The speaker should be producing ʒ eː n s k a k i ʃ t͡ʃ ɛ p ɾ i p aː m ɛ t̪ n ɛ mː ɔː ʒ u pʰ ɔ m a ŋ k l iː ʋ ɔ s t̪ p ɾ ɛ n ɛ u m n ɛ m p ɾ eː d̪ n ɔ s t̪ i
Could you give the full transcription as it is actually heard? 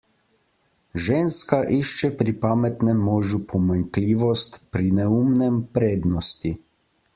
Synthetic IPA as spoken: ʒ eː n s k a ʔ i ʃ t͡ʃ ɛ p ɾ i p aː m ɛ t̪ n ɛ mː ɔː ʒ u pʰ ɔ m a ŋ k l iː ʋ ɔ s t̪ p ɾ i n ɛ u m n ɛ m p ɾ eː d̪ n ɔ s t̪ i